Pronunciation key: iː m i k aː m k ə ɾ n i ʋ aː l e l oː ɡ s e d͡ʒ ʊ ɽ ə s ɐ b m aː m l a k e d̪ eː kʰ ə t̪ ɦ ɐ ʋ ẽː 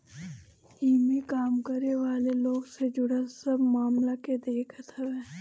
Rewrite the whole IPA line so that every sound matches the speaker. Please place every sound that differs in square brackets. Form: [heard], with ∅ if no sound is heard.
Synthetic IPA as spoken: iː m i k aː m k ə ɾ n [e] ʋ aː l e l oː ɡ s e d͡ʒ ʊ ɽ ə s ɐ b m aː m l a k e d̪ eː kʰ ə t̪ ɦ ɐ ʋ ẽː